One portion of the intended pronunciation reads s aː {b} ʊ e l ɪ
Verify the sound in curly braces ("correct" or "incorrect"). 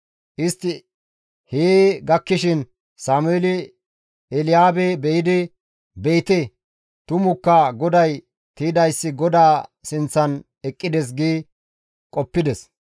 incorrect